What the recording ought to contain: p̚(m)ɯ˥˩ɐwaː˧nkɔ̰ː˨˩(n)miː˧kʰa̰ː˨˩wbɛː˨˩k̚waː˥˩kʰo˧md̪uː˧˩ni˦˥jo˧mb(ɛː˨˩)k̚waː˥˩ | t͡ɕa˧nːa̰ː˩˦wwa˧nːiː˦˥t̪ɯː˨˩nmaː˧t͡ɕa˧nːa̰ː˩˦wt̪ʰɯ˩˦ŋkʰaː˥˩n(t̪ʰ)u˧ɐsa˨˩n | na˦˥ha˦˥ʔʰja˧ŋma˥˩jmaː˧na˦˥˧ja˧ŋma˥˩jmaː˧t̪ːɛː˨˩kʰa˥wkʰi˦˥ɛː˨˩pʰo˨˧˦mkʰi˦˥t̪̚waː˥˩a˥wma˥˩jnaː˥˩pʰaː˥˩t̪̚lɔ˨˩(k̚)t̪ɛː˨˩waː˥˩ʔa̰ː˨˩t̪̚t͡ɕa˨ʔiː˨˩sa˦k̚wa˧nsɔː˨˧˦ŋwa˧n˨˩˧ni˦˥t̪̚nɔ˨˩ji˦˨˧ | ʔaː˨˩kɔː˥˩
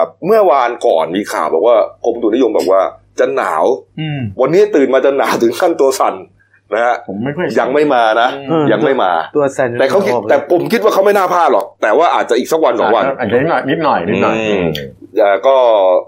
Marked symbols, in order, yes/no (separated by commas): yes, yes, yes, no, yes